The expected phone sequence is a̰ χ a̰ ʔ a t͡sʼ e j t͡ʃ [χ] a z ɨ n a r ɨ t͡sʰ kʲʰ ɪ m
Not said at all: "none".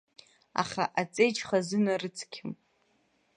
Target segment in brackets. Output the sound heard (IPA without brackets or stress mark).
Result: χ